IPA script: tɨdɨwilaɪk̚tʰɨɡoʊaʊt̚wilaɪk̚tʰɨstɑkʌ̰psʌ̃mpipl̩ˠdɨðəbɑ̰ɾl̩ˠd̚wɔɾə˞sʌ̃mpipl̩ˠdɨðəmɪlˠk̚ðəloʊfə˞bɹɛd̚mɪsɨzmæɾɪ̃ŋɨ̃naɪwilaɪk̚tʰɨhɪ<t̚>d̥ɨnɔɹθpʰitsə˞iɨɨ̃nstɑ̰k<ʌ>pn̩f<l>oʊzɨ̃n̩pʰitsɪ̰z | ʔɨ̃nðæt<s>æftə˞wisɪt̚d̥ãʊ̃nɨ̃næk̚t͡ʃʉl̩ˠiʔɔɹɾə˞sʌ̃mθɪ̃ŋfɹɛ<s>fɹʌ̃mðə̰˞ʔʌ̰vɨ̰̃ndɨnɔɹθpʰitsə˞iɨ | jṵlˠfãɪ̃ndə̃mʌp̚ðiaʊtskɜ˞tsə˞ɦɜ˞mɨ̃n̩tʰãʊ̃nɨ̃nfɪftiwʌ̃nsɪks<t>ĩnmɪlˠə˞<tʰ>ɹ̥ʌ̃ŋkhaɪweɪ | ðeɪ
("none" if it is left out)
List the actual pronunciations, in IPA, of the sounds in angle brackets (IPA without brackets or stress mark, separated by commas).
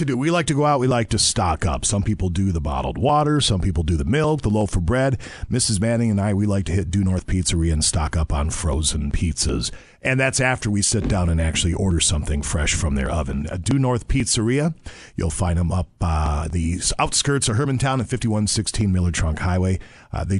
t̚, ʌ, ɹ, s, ʃ, tʰ, tʰ